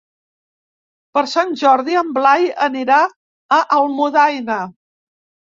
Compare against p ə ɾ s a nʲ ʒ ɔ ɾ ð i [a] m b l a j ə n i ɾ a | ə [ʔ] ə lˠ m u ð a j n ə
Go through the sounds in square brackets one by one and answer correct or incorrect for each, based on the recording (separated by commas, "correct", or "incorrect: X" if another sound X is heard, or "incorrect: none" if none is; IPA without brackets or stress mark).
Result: incorrect: ə, correct